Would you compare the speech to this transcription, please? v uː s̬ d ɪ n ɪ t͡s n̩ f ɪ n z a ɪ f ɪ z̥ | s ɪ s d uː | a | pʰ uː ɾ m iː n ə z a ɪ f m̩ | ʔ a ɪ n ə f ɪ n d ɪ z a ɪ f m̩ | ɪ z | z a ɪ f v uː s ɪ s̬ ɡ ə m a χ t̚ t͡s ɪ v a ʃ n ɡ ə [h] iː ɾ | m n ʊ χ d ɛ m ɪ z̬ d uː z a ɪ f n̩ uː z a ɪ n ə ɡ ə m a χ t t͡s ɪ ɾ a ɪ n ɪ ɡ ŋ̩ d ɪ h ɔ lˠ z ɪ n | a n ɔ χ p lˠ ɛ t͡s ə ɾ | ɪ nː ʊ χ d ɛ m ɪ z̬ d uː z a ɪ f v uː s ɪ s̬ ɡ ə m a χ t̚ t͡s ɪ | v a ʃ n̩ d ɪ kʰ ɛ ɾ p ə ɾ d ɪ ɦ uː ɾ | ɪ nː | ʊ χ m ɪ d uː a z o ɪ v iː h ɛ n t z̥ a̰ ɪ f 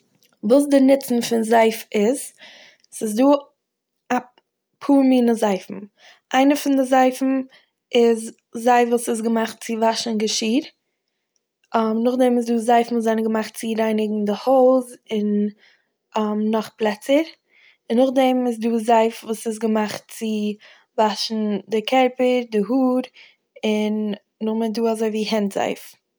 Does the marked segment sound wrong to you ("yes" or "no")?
yes